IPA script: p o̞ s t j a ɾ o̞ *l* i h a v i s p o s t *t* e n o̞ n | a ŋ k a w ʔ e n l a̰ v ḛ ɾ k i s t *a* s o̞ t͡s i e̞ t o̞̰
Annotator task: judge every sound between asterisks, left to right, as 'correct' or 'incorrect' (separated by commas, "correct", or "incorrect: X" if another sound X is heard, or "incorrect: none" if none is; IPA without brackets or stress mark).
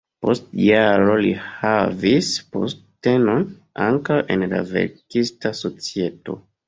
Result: correct, correct, correct